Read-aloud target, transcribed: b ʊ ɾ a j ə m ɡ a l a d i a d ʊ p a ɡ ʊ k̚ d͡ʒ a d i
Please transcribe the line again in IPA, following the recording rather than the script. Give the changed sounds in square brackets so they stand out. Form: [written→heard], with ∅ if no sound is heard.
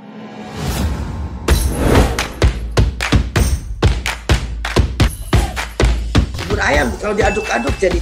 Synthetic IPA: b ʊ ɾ a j [ə→a] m [ɡ→k] a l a d i a d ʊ [p→k] a [ɡ→d] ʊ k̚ d͡ʒ a d i